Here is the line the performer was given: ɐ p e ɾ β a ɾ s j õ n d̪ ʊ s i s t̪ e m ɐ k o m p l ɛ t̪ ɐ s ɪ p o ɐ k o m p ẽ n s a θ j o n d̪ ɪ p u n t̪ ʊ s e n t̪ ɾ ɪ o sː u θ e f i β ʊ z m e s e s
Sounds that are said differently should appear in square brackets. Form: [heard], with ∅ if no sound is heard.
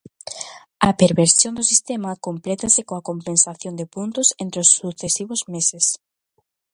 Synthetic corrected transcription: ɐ p e ɾ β [e] ɾ s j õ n d̪ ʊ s i s t̪ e m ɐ k o m p l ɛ t̪ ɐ s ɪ [k] o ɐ k o m p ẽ n s a θ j o n d̪ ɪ p u n t̪ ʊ s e n t̪ ɾ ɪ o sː u θ e [s] i β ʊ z m e s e s